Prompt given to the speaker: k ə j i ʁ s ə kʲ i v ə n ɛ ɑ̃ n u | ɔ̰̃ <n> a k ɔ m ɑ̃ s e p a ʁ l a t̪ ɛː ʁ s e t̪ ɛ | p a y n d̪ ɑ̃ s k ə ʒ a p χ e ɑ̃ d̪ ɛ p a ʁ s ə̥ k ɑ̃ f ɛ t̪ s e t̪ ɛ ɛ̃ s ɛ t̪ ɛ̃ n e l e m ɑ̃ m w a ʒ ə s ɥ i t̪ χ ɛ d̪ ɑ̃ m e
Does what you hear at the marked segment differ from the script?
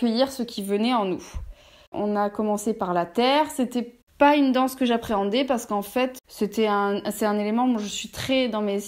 no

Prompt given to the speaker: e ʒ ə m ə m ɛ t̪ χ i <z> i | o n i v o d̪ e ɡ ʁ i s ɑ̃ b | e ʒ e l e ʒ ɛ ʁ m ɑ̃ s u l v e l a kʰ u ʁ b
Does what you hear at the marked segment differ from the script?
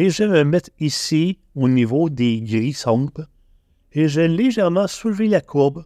yes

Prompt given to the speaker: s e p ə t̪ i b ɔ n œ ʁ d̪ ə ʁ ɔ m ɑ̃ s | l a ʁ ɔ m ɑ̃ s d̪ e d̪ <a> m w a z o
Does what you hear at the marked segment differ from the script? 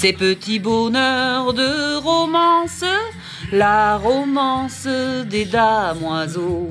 no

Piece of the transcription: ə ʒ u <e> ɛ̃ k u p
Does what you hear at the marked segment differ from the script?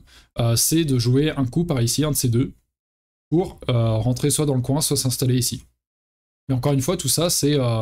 no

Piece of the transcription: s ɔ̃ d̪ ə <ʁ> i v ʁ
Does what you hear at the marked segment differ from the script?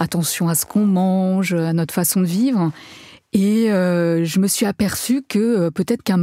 yes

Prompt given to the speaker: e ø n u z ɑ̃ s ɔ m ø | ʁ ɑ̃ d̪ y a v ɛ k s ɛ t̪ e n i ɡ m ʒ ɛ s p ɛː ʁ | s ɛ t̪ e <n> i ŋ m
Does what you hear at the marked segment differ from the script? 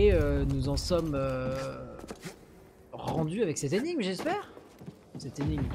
no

